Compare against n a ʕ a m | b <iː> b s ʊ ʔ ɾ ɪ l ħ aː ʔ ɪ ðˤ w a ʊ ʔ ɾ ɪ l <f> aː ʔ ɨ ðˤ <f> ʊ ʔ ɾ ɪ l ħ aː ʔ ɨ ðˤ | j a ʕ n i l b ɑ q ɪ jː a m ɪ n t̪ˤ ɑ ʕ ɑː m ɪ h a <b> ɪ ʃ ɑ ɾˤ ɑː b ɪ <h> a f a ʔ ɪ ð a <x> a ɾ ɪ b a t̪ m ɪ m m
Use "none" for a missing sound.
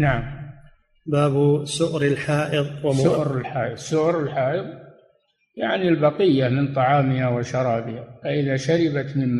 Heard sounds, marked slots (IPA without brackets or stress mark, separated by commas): aː, ħ, s, w, h, ʃ